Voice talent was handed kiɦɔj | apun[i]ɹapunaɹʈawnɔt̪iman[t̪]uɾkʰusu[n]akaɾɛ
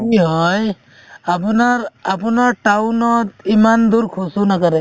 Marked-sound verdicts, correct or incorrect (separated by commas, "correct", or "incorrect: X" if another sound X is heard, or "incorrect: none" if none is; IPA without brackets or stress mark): incorrect: a, incorrect: d̪, correct